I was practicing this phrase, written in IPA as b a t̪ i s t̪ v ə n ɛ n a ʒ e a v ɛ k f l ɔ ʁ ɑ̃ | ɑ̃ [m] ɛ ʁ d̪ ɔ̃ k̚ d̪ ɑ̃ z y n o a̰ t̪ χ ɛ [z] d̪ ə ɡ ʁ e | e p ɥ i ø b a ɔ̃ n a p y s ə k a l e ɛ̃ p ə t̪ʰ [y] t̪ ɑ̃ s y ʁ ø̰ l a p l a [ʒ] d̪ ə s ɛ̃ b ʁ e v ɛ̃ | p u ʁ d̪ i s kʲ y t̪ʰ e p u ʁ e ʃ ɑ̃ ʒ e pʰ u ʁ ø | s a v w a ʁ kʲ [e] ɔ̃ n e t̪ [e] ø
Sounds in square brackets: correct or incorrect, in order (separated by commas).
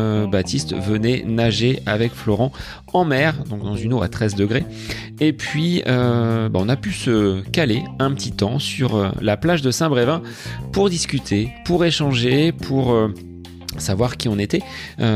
correct, correct, incorrect, correct, incorrect, incorrect